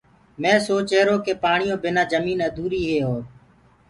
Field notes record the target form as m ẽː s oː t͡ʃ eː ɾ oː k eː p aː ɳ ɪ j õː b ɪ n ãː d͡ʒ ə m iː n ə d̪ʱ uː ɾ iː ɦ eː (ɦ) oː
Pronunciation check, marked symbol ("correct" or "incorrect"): correct